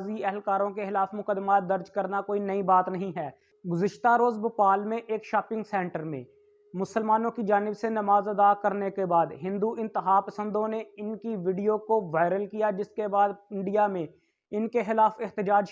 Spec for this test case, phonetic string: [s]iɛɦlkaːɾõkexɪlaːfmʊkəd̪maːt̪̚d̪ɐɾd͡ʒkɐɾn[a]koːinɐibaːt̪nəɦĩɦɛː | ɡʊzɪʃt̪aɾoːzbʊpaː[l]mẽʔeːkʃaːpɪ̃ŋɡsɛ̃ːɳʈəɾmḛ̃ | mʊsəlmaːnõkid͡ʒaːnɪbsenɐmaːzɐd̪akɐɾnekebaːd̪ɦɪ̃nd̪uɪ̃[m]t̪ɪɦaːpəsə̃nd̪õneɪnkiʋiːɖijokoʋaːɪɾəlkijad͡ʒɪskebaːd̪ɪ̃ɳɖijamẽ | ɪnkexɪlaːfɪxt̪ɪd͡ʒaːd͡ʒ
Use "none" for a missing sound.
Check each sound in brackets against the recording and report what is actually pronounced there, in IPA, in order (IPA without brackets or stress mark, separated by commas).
z, a, l, n